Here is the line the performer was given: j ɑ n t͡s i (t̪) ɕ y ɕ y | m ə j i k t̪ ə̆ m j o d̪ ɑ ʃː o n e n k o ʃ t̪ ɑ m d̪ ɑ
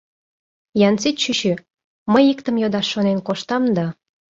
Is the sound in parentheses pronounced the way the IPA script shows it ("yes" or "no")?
yes